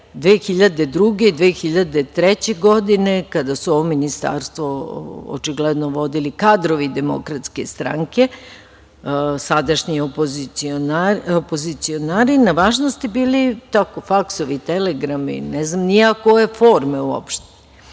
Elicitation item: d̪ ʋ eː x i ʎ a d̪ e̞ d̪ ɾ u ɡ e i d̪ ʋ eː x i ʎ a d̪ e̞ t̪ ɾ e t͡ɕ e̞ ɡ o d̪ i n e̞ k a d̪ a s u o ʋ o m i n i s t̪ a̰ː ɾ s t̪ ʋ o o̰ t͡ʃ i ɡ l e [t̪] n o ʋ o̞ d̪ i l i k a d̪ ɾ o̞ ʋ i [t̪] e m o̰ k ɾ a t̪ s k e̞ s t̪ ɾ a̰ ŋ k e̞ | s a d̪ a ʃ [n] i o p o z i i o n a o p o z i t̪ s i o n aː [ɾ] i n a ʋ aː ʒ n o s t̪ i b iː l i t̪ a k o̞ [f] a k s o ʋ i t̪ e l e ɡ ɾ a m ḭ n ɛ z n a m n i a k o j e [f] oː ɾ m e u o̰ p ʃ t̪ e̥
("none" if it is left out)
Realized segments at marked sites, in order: d̪, d̪, ɲ, ɾ, f, f

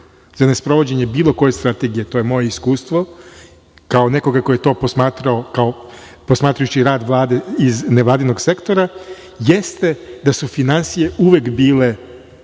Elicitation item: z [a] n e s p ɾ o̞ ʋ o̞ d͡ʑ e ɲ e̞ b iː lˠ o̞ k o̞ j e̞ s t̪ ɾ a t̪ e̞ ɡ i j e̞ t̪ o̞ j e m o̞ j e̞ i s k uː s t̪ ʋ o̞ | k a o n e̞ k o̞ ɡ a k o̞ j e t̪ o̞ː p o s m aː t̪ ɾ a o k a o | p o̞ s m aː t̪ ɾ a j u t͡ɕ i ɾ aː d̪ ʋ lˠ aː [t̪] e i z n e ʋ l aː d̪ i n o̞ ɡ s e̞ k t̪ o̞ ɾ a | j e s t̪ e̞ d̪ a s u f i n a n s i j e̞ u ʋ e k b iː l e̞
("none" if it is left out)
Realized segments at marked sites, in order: a, d̪

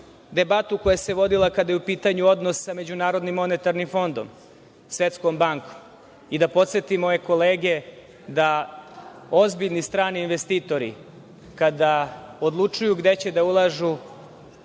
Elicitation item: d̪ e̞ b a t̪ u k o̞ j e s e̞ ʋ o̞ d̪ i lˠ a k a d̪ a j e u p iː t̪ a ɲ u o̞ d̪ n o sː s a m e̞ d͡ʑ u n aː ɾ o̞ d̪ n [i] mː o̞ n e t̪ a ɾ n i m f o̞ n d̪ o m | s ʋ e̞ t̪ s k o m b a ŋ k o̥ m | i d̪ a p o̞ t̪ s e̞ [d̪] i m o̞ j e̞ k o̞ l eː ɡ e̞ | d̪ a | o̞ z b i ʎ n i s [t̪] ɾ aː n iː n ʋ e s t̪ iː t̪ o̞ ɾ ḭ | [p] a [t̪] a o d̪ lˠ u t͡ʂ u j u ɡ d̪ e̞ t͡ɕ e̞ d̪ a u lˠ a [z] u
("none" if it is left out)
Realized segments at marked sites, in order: i, t̪, t̪, k, d̪, ʒ

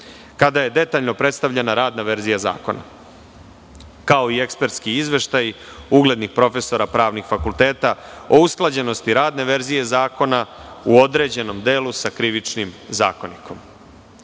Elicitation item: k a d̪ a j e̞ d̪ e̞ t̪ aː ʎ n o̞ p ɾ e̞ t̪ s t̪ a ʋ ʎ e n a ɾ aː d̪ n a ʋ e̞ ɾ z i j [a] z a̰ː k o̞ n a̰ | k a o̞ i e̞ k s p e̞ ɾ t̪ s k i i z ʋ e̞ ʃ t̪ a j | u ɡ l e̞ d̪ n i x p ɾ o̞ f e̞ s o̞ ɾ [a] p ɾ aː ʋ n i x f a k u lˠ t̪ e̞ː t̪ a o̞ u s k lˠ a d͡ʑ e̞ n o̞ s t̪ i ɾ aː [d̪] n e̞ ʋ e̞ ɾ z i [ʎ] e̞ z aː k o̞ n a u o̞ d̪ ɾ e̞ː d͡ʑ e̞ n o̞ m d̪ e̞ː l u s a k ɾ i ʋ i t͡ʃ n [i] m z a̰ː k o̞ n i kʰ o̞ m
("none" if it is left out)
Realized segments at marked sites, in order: a, a, d̪, j, i

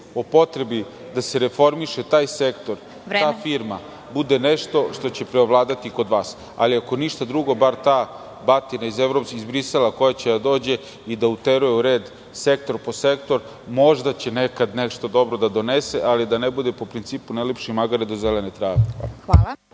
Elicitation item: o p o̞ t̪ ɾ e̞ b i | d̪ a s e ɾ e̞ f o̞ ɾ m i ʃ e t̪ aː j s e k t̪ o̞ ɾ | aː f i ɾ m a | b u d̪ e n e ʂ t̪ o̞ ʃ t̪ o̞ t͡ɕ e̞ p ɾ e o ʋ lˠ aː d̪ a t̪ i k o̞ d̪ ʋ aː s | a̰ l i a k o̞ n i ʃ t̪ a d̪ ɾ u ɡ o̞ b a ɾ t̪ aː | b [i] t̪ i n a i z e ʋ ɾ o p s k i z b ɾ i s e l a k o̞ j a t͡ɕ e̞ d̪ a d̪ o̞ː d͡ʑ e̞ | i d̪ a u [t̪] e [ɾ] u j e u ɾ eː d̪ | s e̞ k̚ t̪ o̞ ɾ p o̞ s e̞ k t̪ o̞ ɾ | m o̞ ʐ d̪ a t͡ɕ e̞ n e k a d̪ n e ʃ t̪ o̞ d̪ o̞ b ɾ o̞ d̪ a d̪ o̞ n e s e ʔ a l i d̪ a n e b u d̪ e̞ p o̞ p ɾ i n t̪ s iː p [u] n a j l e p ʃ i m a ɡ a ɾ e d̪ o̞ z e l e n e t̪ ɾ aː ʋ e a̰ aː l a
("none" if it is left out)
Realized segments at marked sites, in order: a, t̪, ɾ, u

